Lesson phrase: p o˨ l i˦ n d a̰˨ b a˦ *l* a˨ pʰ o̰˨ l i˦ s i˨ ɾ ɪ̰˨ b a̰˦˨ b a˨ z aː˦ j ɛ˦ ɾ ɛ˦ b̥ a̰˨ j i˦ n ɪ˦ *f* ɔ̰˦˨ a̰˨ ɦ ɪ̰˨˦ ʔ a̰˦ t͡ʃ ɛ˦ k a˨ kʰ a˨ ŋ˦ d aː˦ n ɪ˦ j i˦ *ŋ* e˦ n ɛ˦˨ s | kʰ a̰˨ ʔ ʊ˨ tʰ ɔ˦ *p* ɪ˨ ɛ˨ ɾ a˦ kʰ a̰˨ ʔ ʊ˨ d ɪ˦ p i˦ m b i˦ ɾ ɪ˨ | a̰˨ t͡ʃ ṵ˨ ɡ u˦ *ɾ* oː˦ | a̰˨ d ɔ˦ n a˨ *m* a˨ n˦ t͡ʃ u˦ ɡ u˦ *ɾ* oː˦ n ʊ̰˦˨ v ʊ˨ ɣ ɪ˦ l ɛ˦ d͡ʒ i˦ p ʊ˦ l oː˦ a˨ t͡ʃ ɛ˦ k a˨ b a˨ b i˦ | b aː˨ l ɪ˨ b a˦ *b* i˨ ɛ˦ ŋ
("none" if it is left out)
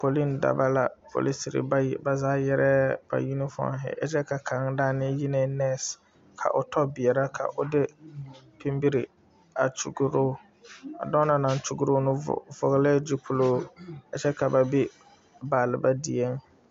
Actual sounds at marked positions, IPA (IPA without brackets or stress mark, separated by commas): l, f, n, b, ɾ, n, ɾ, d